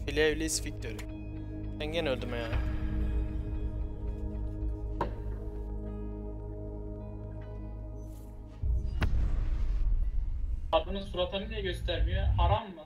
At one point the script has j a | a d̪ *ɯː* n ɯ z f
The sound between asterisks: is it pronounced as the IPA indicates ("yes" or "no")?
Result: no